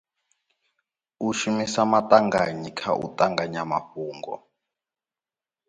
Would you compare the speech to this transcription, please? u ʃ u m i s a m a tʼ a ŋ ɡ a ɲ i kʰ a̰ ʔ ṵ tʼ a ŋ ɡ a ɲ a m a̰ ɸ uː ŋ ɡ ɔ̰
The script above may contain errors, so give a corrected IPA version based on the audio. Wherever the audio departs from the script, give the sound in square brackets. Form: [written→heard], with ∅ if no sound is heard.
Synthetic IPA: u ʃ u m i s a m a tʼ a ŋ ɡ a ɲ i kʰ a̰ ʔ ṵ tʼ a ŋ ɡ a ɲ a m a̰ ɸ uː ŋ ɡ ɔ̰